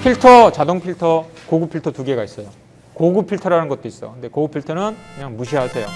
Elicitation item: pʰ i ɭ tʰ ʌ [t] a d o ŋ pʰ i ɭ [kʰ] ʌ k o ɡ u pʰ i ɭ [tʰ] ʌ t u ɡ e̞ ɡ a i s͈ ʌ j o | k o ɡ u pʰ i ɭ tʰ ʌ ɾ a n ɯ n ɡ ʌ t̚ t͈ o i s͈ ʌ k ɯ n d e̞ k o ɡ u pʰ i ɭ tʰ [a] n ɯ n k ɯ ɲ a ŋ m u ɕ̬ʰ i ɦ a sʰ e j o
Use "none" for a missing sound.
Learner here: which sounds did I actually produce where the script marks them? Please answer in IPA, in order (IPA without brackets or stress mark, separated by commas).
t͡ɕ, tʰ, tʰ, ʌ